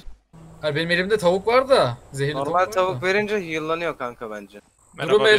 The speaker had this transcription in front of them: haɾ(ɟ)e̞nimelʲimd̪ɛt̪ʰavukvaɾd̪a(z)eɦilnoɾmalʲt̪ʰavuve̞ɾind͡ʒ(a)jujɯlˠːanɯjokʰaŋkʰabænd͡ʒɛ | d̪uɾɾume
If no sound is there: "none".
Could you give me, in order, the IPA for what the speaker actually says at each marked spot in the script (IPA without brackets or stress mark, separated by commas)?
b, z, ɛ